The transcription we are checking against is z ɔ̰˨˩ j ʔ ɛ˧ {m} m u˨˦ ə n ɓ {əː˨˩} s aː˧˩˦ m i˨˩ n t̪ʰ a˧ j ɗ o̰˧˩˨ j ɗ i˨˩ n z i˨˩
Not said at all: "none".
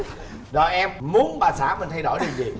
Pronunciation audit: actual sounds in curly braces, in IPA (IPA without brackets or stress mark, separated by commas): m, aː˨˩